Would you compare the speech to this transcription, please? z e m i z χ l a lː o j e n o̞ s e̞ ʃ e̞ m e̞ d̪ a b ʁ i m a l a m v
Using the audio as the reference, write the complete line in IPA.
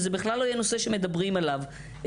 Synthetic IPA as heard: z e b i χ l a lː o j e n o̞ s e̞ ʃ e̞ m e̞ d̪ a b ʁ i m a l a v